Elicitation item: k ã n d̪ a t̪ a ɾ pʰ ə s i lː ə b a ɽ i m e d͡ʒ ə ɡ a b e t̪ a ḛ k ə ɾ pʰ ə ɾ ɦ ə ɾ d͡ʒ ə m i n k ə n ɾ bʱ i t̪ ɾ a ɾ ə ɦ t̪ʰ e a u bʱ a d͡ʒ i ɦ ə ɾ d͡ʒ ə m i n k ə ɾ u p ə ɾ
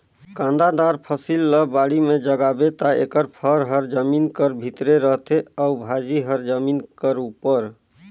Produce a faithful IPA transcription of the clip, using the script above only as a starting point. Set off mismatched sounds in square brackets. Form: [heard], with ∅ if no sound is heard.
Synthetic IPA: k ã n d̪ a [d̪] a ɾ pʰ ə s i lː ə b a ɽ i m e d͡ʒ ə ɡ a b e t̪ a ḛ k ə ɾ pʰ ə ɾ ɦ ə ɾ d͡ʒ ə m i n k ə [∅] ɾ bʱ i t̪ ɾ [e] ɾ ə ɦ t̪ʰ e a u bʱ a d͡ʒ i ɦ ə ɾ d͡ʒ ə m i n k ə ɾ u p ə ɾ